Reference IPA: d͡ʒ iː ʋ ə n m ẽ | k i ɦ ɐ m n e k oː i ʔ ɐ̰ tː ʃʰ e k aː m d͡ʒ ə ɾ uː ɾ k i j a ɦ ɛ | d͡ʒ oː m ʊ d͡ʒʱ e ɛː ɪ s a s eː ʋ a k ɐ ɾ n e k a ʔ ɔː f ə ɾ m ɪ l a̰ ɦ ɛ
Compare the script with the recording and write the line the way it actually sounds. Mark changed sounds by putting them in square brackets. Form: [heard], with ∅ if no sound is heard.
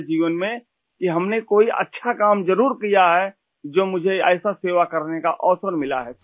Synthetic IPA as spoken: d͡ʒ iː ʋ ə n m ẽ | k i ɦ ɐ m n e k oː i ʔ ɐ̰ tː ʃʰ [a] k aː m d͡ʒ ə ɾ uː ɾ k i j a ɦ ɛ | d͡ʒ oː m ʊ d͡ʒʱ e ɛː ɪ s a s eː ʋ a k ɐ ɾ n e k a ʔ ɔː [s] ə ɾ m ɪ l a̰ ɦ ɛ